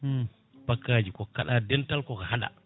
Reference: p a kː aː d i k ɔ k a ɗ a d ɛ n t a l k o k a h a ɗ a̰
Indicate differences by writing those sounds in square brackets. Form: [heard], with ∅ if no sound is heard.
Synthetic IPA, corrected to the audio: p a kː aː [d͡ʒ] i k ɔ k a ɗ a d ɛ n t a l k [ɔ] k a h a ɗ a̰